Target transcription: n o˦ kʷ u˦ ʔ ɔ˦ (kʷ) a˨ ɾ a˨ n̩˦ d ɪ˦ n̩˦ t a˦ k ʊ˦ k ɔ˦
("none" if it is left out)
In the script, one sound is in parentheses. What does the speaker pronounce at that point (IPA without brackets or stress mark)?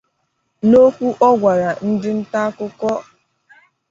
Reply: ɡʷ